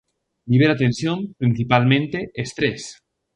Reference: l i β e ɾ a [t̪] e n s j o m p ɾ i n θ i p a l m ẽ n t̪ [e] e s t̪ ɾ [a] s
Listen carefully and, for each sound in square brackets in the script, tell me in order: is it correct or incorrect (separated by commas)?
correct, correct, incorrect